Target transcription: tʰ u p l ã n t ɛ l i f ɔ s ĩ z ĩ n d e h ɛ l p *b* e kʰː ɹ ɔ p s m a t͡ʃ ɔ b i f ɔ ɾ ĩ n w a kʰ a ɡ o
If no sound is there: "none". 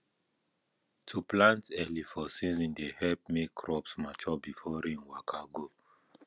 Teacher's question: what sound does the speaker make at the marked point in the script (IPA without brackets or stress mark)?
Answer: m